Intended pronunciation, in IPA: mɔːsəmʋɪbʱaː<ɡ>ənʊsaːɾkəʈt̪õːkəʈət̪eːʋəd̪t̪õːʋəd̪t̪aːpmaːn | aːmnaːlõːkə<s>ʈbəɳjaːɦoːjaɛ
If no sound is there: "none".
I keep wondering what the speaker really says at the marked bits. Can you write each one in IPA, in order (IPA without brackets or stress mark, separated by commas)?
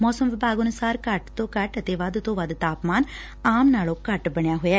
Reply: ɡ, none